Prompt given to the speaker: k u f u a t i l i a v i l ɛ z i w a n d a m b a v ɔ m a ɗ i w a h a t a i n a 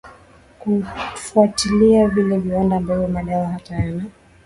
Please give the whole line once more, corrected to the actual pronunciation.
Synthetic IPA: k u f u a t i l i a v i l ɛ v i w a n d a m b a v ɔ m a ɗ a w a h a t a a n a